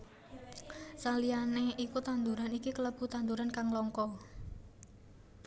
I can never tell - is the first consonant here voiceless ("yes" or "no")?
yes